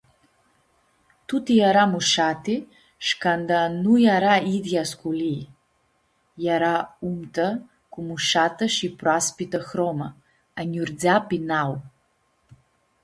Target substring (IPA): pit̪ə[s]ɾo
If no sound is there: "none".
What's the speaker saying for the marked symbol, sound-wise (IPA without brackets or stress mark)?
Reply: x